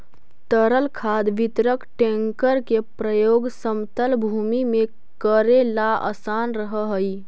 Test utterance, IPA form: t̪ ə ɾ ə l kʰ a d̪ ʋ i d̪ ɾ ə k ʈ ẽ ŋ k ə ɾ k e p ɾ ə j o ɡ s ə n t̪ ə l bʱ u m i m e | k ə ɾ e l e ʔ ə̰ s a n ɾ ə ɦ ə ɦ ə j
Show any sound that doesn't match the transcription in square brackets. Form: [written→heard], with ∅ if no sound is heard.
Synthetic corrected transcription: t̪ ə ɾ ə l kʰ a d̪ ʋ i [d̪→t̪] ɾ ə k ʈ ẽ ŋ k ə ɾ k e p ɾ ə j o ɡ s ə [n→m] t̪ ə l bʱ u m i m e | k ə ɾ e l [e→a] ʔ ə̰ s a n ɾ ə ɦ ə ɦ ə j